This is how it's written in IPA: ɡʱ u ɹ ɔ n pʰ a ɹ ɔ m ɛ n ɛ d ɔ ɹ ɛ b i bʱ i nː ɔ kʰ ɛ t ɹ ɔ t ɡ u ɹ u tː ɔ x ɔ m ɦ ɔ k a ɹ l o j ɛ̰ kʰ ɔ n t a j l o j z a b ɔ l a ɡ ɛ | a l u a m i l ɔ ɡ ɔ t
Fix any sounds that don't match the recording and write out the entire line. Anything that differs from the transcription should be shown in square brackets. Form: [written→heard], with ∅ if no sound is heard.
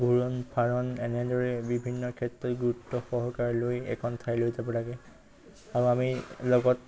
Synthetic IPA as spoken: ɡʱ u ɹ ɔ n pʰ a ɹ ɔ [m→n] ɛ n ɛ d ɔ ɹ ɛ b i bʱ i nː ɔ kʰ ɛ t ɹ ɔ t ɡ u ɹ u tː ɔ x ɔ [m→∅] ɦ ɔ k a ɹ l o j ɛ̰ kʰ ɔ n [t→tʰ] a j l o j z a b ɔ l a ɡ ɛ | a [l→ɹ] u a m i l ɔ ɡ ɔ t